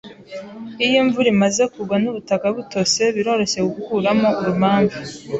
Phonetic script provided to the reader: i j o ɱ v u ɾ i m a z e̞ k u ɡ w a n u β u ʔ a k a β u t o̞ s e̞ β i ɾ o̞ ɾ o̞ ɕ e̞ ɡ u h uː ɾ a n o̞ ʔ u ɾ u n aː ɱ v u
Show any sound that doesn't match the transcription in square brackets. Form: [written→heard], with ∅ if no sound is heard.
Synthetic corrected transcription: i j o ɱ v u ɾ i m a z e̞ k u ɡ w a n u β u [ʔ→t] a k a β u t o̞ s e̞ β i ɾ o̞ ɾ o̞ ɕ e̞ ɡ u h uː ɾ a [n→m] o̞ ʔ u ɾ u [n→m] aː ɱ v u